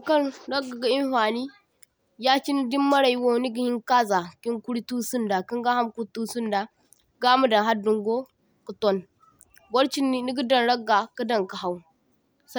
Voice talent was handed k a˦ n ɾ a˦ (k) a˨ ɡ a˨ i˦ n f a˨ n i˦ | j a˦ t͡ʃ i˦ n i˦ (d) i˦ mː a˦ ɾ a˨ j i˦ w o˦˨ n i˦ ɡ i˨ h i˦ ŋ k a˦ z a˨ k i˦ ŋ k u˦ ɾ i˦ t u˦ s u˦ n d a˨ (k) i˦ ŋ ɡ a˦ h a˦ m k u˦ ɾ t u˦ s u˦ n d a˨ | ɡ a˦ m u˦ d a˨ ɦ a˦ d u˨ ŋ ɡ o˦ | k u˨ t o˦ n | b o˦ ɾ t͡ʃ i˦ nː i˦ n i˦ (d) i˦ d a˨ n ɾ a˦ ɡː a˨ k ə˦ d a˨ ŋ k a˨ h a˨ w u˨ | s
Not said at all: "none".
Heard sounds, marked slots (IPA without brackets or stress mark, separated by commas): ɡ, d, k, ɡ